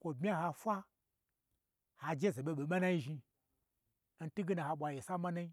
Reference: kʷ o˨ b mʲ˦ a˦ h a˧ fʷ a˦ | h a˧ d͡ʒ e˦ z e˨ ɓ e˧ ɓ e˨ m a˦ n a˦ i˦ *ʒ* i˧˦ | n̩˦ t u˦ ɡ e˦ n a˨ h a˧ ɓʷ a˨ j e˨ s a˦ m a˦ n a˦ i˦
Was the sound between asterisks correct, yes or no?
yes